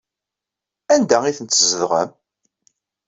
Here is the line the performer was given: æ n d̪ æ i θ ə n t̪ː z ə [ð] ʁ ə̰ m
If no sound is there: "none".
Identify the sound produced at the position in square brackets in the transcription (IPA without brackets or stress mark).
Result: ð